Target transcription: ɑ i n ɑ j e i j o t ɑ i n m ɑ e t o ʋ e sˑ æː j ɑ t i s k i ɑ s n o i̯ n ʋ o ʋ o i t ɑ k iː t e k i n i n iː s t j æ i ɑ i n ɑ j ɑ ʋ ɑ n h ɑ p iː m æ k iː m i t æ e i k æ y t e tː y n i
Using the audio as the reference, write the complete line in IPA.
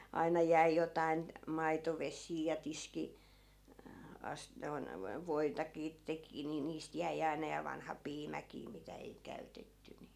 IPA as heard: ɑ i n ɑ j æ i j o t ɑ i n m ɑ i t o ʋ e sˑ iː j ɑ t i s k i ɑ s n o i̯ n ʋ o ʋ o i t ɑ k iː t e k i n i n iː s t j æ i ɑ i n ɑ j ɑ ʋ ɑ n h ɑ p iː m æ k iː m i t æ e i k æ y t e tː y n i